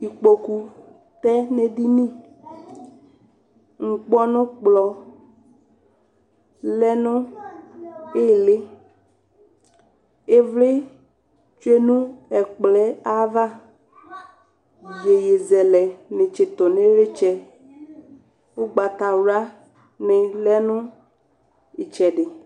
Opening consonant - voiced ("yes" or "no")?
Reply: no